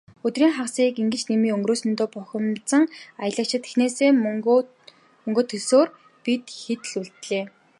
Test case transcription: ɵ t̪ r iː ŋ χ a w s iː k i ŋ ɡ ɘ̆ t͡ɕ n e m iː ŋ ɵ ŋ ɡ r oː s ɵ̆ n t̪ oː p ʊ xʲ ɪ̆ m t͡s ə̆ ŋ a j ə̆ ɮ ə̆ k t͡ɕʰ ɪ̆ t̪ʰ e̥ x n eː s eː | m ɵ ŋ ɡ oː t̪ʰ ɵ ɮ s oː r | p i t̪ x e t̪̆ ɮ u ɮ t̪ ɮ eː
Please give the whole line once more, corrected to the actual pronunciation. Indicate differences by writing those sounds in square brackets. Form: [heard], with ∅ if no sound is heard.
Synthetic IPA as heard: ɵ t̪ r iː ŋ χ a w s iː k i ŋ ɡ ɘ̆ t͡ɕ n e m iː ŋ ɵ ŋ ɡ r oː s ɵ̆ n t̪ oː p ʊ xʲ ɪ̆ m t͡s ə̆ ŋ a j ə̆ ɮ ə̆ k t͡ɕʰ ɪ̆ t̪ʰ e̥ x n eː s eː | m ɵ ŋ ɡ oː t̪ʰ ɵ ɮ s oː r | p i t̪ x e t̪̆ ɮ u ɮ t̪ ɮ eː